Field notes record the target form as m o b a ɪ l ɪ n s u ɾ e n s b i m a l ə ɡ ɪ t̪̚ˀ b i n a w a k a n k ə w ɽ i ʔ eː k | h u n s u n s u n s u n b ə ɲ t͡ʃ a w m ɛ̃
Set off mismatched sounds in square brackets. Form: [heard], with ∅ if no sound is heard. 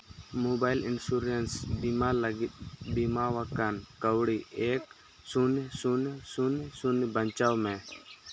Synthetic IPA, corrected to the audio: m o b a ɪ l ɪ n s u ɾ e n s b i m a l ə ɡ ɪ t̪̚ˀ b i [m] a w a k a n k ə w ɽ i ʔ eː k | [s] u n s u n s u n s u n b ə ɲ t͡ʃ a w m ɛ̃